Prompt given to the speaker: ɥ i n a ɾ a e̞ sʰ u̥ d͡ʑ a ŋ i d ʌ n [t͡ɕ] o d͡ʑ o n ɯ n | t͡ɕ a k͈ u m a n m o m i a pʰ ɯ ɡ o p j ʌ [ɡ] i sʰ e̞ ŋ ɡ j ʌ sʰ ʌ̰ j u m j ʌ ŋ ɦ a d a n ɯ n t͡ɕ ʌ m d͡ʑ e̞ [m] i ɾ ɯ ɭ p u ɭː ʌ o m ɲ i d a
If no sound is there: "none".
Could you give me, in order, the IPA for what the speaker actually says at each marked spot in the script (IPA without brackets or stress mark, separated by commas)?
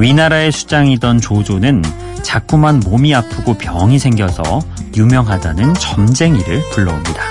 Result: t͡ɕ, ŋ, ŋ